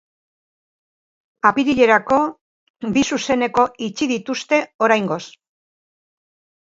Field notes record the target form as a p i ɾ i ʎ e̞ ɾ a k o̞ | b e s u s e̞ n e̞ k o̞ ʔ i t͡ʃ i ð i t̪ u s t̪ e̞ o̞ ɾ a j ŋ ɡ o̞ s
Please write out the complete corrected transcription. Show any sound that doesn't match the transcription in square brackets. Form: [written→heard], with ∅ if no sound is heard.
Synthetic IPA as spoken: a p i ɾ i ʎ e̞ ɾ a k o̞ | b [e→i] s u s e̞ n e̞ k o̞ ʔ i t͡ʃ i ð i t̪ u s t̪ e̞ o̞ ɾ a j ŋ ɡ o̞ s